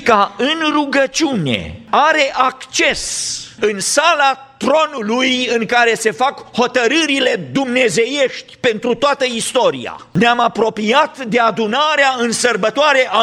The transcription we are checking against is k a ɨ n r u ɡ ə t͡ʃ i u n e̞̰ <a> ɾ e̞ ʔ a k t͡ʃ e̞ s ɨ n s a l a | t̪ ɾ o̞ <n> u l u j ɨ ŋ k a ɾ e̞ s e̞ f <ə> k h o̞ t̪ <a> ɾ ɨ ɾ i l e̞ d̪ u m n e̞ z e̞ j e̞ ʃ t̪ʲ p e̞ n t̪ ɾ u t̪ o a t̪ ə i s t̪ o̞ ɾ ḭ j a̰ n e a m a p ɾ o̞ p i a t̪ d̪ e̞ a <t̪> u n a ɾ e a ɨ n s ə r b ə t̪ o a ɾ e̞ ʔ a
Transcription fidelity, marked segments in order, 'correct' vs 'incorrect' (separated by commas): correct, correct, incorrect, incorrect, incorrect